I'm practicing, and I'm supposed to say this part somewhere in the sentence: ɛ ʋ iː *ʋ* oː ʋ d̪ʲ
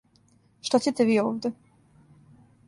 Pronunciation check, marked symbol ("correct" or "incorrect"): incorrect